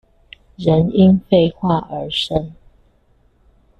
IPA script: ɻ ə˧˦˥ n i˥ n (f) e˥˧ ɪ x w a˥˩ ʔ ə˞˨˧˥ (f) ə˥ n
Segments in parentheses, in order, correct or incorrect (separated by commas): correct, incorrect